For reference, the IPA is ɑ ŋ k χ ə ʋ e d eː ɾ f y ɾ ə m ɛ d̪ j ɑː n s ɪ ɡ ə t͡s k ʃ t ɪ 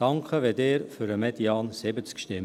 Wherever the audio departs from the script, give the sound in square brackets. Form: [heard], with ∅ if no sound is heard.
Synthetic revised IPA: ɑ ŋ k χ ə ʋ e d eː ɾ f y ɾ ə m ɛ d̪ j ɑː n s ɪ [b] ə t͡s k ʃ t ɪ

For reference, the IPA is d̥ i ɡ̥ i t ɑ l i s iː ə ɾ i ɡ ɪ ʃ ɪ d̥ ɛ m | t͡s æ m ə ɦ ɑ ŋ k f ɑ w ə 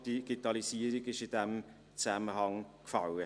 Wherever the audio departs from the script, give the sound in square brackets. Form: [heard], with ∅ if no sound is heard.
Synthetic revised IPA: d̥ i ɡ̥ i t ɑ l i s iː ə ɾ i ɡ ɪ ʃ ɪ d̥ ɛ m | t͡s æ m ə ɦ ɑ ŋ k f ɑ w ə

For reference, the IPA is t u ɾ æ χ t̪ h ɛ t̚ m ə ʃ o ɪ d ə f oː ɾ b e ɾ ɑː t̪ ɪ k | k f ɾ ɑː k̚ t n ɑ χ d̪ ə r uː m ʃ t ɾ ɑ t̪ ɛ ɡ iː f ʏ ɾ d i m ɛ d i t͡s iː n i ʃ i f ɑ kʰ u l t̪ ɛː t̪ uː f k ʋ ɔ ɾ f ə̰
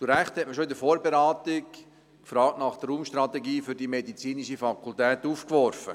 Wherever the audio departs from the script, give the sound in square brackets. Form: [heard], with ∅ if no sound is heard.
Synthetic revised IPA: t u ɾ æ χ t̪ h ɛ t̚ m ə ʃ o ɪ d ə f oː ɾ b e ɾ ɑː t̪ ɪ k | k f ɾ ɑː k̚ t n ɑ χ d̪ ə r uː m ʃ t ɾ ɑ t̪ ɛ ɡ iː f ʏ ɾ d i m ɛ d i t͡s iː n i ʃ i f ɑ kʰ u l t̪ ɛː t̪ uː f k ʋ ɔ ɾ f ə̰

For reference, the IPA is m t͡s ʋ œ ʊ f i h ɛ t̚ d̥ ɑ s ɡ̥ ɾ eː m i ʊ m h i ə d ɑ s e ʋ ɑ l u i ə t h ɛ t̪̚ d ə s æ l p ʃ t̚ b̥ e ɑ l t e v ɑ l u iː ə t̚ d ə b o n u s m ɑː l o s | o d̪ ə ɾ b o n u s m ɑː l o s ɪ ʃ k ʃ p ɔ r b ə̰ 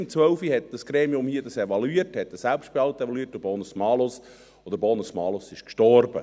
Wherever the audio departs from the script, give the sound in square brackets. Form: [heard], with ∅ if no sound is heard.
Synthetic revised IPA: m t͡s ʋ œ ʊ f i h ɛ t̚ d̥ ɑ s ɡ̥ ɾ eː m i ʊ m h i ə d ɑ s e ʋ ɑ l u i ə t h ɛ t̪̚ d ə s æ l p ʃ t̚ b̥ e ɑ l t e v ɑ l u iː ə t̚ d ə b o n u s m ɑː l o s | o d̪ ə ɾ b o n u s m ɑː l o s ɪ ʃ k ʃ [t] ɔ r b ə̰

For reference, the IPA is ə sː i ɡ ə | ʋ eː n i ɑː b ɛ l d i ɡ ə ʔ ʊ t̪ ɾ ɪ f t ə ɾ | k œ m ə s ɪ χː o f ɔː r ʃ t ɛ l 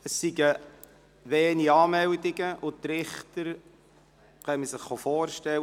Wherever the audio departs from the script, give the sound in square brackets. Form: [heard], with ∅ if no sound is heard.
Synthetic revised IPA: ə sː i ɡ ə | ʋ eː n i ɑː [m] ɛ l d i ɡ ə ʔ ʊ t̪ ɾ ɪ [χ] t ə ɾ | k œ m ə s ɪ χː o f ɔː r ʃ t ɛ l

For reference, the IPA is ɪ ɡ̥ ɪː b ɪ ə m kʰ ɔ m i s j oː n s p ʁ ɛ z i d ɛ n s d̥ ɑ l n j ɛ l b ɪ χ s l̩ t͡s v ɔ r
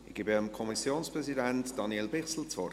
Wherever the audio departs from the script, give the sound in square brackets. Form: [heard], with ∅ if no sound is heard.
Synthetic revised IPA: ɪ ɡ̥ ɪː b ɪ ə m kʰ ɔ m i s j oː n s p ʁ ɛ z i d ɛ n [t] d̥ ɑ [∅] n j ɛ l b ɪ χ s l̩ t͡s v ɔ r

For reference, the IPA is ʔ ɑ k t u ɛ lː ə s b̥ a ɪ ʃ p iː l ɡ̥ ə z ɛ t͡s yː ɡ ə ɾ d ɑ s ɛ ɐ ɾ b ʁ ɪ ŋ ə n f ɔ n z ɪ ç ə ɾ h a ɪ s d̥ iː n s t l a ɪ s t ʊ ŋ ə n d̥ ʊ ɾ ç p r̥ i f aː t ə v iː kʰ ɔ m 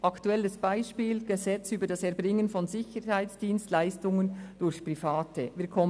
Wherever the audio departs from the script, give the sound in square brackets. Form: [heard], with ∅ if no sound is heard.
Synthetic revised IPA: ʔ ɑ k t u ɛ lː ə s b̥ a ɪ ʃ p iː l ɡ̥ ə z ɛ t͡s yː [b] ə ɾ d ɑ s ɛ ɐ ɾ b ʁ ɪ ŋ ə n f ɔ n z ɪ ç ə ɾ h a ɪ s d̥ iː n s t l a ɪ s t ʊ ŋ ə n d̥ ʊ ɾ ç p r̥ i f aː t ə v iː kʰ ɔ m

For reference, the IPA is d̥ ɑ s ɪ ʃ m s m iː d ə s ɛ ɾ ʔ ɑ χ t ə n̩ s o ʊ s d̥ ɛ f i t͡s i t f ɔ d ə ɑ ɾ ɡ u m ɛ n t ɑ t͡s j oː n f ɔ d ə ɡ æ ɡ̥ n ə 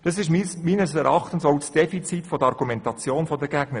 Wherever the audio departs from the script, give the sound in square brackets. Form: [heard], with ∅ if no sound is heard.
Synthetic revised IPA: d̥ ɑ s ɪ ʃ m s m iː [n] ə s ɛ ɾ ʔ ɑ χ t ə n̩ s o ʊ s d̥ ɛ f i t͡s i t f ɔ d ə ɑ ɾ ɡ u m ɛ n t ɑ t͡s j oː n f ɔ d ə ɡ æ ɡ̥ n ə

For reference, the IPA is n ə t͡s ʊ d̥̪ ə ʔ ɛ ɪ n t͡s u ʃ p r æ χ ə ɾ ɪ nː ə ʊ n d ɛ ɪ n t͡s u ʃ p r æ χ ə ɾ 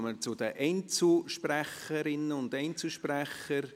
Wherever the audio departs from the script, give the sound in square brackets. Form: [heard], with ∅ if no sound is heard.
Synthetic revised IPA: [m] ə t͡s ʊ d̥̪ ə ʔ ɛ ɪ n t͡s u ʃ p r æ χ ə ɾ ɪ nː ə ʊ n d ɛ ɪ n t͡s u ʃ p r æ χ ə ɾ

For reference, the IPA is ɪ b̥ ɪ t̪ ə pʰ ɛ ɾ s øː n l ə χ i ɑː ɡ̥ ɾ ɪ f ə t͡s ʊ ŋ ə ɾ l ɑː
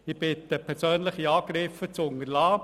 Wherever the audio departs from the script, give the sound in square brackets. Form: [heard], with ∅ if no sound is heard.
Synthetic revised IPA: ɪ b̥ ɪ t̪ ə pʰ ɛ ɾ s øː n l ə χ i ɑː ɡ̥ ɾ ɪ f ə t͡s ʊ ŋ ə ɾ l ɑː

